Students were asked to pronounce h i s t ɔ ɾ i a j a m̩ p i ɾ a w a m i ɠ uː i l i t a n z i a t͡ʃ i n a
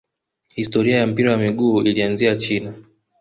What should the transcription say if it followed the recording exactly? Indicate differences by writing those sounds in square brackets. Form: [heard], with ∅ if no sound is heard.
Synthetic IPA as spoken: h i s t ɔ ɾ i a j a m̩ p i ɾ a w a m i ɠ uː i l i [∅] a n z i a t͡ʃ i n a